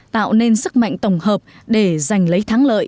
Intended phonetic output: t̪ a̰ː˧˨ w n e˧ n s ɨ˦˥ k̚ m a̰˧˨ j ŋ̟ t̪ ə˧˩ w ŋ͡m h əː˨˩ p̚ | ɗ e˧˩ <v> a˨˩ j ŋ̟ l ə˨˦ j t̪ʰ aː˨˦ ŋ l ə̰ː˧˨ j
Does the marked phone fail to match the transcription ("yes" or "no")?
yes